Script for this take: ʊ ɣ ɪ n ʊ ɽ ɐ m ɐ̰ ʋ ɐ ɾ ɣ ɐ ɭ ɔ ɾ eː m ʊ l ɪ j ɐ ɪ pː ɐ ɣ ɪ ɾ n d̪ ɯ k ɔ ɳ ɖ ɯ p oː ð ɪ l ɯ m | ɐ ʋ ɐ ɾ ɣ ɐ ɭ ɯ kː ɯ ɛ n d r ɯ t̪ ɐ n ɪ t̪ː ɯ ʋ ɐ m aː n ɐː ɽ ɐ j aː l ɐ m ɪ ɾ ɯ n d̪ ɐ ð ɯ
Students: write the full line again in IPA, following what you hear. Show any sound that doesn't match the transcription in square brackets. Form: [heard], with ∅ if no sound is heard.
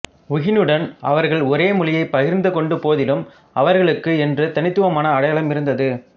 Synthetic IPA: ʊ ɣ ɪ n [ɯ] ɽ ɐ [n] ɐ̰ ʋ ɐ ɾ ɣ ɐ ɭ ɔ ɾ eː m ʊ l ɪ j ɐ ɪ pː ɐ ɣ ɪ ɾ n d̪ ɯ k ɔ ɳ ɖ ɯ p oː ð ɪ l ɯ m | ɐ ʋ ɐ ɾ ɣ ɐ ɭ ɯ kː ɯ ɛ n d r ɯ t̪ ɐ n ɪ t̪ː ɯ ʋ ɐ m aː n ɐː ɽ ɐ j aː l ɐ m ɪ ɾ ɯ n d̪ ɐ ð ɯ